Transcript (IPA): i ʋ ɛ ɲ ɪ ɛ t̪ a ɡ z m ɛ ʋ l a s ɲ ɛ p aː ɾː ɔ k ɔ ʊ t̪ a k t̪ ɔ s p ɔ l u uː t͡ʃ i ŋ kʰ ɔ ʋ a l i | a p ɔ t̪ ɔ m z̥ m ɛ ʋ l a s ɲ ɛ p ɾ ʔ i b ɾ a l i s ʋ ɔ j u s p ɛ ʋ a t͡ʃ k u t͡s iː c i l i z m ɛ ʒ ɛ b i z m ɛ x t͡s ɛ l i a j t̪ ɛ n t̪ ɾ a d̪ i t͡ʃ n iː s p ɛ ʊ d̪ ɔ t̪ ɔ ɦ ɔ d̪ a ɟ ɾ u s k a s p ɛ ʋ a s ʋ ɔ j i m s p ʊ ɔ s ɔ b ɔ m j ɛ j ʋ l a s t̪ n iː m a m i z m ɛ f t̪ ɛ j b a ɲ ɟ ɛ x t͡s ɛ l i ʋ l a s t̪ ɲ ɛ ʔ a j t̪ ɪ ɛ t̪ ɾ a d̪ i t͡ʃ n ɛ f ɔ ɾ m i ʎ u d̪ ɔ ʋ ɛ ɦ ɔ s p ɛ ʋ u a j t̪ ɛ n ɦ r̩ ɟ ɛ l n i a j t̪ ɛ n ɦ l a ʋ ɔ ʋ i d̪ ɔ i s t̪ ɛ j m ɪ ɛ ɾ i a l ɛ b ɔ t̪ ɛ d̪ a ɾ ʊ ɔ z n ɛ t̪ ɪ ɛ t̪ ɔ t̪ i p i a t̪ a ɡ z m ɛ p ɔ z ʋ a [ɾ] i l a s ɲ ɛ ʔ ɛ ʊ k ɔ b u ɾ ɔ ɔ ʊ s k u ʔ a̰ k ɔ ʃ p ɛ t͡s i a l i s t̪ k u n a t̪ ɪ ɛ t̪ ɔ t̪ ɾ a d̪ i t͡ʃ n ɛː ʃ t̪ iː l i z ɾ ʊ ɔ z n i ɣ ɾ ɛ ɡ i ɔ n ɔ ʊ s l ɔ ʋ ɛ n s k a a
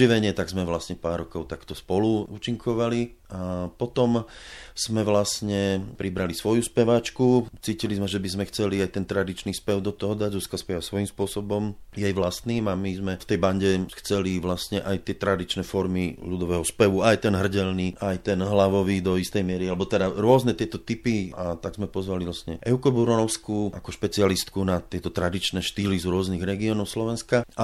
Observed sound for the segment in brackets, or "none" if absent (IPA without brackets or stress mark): l